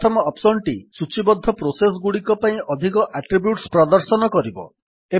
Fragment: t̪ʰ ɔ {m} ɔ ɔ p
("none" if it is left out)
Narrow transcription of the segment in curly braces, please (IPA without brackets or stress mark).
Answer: m